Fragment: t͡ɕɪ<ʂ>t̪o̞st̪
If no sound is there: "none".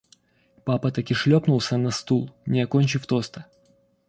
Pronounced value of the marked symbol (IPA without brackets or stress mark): f